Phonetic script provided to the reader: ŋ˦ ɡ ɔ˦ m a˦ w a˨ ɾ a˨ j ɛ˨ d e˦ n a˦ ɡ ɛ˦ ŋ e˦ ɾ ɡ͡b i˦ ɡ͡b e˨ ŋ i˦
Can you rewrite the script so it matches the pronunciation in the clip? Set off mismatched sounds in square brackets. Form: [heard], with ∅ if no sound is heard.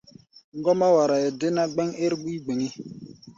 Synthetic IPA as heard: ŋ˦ ɡ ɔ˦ m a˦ w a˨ ɾ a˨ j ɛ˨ d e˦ n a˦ [ɡ͡b] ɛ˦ ŋ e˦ ɾ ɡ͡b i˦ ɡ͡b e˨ ŋ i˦

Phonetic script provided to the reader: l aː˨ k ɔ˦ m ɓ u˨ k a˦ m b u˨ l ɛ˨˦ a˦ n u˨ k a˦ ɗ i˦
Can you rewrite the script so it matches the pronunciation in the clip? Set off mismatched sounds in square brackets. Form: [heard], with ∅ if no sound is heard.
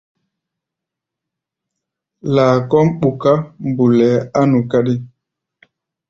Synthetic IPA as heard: l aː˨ k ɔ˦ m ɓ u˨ k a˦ m b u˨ l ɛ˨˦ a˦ n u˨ k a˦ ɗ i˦

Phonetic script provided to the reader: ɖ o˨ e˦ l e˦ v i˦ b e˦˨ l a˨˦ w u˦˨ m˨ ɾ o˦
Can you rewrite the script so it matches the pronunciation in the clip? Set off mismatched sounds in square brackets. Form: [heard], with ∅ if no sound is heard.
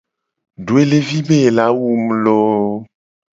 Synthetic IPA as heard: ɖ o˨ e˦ l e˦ v i˦ b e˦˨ l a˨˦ w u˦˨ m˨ [l] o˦

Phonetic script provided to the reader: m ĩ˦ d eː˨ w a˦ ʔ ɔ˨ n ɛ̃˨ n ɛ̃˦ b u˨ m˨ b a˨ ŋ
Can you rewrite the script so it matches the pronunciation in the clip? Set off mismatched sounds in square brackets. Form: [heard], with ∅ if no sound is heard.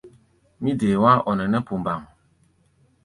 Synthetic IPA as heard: m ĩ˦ d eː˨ w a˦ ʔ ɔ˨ n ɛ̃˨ n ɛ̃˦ [p] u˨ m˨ b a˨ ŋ

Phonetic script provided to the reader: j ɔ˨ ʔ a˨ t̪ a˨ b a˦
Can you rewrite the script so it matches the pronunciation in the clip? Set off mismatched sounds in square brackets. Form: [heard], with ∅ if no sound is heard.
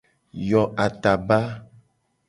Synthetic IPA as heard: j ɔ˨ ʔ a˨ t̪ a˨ b a˦

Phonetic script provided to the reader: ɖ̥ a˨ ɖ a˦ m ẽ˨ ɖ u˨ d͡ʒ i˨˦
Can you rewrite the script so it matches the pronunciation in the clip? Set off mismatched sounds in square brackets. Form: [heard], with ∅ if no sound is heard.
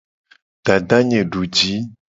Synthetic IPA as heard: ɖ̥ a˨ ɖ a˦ [ɲ] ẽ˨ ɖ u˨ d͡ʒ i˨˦

